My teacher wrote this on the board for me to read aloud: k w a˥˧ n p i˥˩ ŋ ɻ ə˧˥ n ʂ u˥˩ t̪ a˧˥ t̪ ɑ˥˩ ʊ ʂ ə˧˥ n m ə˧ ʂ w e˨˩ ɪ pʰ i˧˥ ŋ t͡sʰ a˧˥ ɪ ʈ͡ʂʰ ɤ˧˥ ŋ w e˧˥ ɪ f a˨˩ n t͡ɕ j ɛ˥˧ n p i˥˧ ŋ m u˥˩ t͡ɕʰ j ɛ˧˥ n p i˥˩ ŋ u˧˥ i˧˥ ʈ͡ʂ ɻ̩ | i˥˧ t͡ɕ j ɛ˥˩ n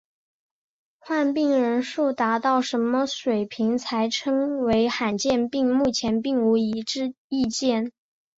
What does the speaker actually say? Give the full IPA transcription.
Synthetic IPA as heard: x w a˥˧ n p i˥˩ ŋ ɻ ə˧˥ n ʂ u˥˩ t̪ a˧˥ t̪ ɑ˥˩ ʊ ʂ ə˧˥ n m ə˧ ʂ w e˨˩ ɪ pʰ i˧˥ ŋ t͡sʰ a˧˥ ɪ ʈ͡ʂʰ ɤ˥ ŋ w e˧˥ ɪ x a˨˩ n t͡ɕ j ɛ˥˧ n p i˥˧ ŋ m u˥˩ t͡ɕʰ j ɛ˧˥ n p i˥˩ ŋ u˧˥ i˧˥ ʈ͡ʂ ɻ̩ | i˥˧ t͡ɕ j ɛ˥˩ n